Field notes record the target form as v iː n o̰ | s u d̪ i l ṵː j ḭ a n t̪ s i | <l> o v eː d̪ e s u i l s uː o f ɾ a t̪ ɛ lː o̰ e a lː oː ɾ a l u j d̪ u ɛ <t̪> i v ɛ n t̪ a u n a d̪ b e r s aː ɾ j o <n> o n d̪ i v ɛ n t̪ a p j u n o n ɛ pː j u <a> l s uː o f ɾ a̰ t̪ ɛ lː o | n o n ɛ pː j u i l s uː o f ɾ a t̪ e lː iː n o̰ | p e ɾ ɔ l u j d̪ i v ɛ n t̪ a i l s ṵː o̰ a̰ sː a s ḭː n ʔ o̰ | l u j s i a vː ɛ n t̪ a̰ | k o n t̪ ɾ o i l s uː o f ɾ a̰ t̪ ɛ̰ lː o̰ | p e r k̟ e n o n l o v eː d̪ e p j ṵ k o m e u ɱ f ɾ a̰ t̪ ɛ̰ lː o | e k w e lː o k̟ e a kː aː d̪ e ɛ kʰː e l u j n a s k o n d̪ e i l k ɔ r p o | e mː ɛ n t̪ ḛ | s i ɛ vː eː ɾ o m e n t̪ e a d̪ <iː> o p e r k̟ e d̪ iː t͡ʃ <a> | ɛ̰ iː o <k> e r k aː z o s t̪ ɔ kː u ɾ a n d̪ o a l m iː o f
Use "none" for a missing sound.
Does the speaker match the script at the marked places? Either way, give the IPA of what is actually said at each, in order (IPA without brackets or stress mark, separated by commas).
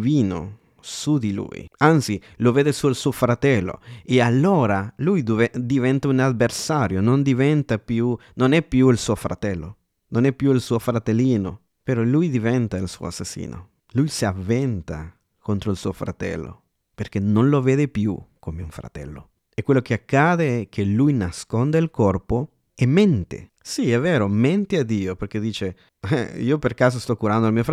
l, d̪, n, i, iː, e, p